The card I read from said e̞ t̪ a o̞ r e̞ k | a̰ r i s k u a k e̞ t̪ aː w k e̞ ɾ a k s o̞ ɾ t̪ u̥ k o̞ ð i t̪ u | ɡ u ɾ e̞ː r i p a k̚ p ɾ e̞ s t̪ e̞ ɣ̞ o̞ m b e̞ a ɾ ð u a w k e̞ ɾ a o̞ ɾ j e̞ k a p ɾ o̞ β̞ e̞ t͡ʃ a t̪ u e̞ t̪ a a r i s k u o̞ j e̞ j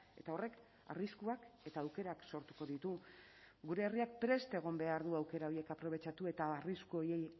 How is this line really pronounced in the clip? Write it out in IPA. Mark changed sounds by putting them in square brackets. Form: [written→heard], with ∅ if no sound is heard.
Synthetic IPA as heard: e̞ t̪ a o̞ r e̞ k | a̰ r i s k u a k e̞ t̪ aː w k e̞ ɾ a k s o̞ ɾ t̪ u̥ k o̞ ð i t̪ u | ɡ u ɾ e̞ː r i [p→∅] a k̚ p ɾ e̞ s t̪ e̞ ɣ̞ o̞ m b e̞ a ɾ ð u a w k e̞ ɾ a o̞ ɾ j e̞ k a p ɾ o̞ β̞ e̞ t͡ʃ a t̪ u e̞ t̪ a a r i s k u o̞ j e̞ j